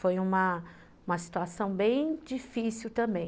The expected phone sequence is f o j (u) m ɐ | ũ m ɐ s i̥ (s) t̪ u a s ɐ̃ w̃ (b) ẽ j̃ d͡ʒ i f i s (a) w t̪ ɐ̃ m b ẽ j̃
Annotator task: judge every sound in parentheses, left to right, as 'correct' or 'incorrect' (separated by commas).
incorrect, incorrect, correct, incorrect